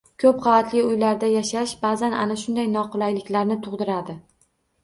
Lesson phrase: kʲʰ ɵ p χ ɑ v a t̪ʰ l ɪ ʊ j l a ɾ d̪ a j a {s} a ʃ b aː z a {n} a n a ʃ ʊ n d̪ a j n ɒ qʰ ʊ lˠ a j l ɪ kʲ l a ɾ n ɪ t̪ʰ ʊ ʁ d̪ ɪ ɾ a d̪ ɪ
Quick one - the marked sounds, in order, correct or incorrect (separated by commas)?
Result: incorrect, correct